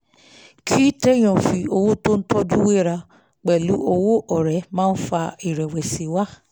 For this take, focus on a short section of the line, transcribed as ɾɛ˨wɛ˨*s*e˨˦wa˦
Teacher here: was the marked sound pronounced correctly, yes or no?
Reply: yes